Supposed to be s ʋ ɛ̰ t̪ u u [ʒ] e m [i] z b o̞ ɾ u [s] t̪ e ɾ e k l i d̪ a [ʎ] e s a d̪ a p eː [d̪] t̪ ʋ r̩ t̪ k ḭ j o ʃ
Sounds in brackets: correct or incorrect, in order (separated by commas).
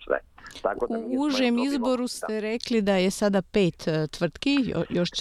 correct, correct, correct, incorrect, incorrect